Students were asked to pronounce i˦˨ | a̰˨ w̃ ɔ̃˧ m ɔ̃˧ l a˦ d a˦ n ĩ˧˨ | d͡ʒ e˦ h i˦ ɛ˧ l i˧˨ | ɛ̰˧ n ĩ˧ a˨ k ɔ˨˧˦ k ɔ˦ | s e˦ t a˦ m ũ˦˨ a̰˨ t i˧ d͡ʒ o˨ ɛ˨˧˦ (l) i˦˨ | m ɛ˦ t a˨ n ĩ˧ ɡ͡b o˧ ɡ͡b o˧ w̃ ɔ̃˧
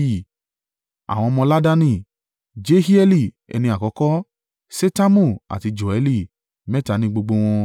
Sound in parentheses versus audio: correct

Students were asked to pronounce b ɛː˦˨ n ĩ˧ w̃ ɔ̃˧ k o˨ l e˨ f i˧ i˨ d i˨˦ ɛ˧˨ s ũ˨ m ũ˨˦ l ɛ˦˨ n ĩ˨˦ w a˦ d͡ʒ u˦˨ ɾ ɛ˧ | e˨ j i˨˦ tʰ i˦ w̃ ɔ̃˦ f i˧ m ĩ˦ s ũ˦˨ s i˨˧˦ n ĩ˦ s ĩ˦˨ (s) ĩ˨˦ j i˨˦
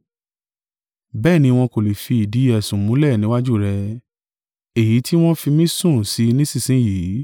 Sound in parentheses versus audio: correct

